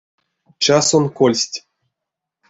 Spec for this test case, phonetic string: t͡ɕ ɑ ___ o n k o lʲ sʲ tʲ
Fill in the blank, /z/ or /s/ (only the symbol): s